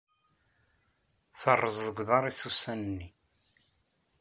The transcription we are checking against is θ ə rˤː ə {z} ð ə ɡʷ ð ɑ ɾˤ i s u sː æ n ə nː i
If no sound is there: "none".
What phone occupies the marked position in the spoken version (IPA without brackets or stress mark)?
z